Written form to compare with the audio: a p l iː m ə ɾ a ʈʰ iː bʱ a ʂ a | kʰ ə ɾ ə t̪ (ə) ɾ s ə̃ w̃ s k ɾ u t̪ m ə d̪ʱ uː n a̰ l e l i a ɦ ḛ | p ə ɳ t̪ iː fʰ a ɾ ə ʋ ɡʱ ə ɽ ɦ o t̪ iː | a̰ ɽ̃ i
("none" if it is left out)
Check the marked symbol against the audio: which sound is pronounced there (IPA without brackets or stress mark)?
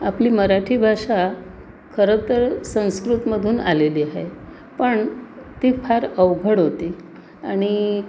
ə